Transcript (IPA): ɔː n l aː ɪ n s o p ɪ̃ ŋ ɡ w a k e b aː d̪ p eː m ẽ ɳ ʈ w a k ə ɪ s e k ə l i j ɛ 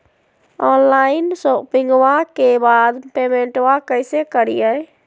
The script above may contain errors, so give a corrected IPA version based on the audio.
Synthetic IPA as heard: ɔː n l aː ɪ n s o p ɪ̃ ŋ ɡ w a k e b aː d̪ p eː m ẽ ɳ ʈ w a k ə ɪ s e k ə ɾ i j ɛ